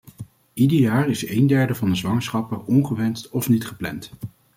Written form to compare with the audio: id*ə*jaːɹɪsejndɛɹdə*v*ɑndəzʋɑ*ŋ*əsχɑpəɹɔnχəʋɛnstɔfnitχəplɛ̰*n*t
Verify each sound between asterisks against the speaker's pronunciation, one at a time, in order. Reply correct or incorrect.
correct, correct, correct, correct

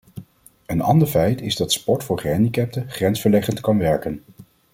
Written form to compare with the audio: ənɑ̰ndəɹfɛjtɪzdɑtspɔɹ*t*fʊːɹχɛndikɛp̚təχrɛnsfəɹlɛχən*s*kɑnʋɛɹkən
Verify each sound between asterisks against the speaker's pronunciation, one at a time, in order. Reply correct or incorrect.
correct, incorrect

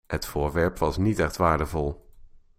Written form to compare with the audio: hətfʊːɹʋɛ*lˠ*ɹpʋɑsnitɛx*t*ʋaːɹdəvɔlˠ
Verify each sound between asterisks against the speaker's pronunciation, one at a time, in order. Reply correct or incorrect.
incorrect, correct

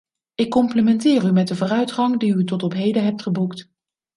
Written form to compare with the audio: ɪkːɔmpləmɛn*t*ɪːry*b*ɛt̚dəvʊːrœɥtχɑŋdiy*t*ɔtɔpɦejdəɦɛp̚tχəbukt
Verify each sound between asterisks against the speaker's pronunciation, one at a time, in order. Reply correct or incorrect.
correct, incorrect, correct

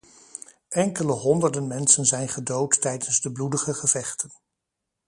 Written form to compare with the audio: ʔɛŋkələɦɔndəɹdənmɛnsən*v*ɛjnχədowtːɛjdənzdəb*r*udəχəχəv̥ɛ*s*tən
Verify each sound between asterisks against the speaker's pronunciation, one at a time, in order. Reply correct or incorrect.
incorrect, incorrect, incorrect

